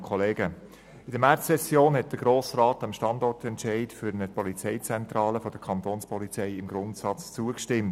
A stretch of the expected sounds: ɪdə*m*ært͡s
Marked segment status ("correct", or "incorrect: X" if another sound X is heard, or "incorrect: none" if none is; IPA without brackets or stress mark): correct